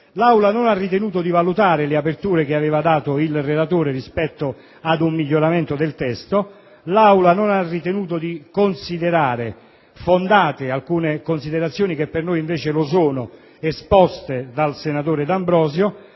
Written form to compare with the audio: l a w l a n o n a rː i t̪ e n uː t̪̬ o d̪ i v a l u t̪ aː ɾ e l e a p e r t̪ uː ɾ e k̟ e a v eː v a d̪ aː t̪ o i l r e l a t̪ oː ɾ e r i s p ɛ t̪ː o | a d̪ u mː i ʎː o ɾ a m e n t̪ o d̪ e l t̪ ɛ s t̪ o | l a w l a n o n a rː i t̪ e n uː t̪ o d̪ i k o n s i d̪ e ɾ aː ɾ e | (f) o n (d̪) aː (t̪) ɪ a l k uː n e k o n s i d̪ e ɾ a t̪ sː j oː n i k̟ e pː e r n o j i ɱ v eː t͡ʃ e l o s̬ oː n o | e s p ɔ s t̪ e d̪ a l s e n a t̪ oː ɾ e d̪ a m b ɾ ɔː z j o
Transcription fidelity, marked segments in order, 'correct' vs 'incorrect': correct, correct, correct

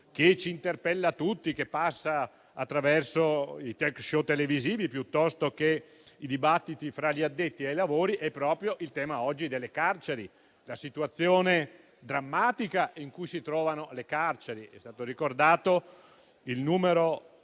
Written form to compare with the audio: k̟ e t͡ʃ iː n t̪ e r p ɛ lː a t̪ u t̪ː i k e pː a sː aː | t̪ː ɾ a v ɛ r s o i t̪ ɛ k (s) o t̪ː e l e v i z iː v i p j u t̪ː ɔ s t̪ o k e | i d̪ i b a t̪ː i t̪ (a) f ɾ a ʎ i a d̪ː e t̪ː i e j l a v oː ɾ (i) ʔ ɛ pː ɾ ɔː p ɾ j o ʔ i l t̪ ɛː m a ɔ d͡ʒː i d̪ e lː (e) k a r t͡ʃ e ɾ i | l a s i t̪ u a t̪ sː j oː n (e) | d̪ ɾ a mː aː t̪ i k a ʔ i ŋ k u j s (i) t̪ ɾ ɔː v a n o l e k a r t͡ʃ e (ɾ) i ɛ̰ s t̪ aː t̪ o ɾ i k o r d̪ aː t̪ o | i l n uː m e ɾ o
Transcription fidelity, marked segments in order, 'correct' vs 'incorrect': incorrect: ʃ, incorrect: i, correct, correct, correct, correct, correct

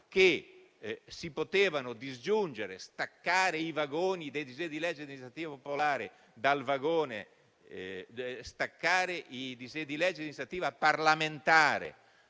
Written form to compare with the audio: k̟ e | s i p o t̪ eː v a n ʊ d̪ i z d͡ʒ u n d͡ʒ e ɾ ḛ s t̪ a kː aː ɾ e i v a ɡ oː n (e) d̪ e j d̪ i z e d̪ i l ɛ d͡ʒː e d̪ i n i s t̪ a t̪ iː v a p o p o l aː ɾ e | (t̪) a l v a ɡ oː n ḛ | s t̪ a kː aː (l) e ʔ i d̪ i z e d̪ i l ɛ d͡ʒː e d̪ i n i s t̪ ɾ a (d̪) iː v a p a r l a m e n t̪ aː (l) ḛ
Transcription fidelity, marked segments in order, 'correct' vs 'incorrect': incorrect: i, incorrect: d̪, incorrect: ɾ, incorrect: t̪, incorrect: ɾ

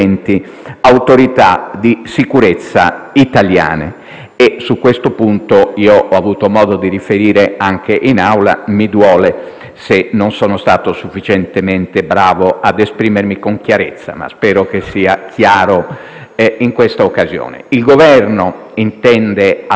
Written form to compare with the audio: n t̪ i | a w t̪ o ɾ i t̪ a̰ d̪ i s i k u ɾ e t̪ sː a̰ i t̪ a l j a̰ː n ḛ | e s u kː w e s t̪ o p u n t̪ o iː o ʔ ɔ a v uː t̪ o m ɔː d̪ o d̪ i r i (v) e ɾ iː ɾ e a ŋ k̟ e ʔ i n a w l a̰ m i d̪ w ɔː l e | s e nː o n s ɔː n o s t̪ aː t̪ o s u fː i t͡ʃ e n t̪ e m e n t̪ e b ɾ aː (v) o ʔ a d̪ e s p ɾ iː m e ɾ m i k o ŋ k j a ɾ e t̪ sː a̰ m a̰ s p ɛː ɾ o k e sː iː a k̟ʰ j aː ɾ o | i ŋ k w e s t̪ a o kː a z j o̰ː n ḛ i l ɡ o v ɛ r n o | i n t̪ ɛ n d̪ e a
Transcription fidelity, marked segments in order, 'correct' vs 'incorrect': incorrect: f, correct

